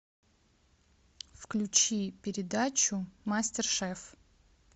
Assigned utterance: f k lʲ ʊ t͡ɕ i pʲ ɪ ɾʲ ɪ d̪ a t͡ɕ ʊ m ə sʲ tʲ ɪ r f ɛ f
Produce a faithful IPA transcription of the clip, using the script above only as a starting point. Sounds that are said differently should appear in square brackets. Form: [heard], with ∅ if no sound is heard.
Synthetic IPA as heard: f k lʲ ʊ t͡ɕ i pʲ ɪ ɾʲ ɪ d̪ a t͡ɕ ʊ m [a] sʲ tʲ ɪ r [ʂ] ɛ f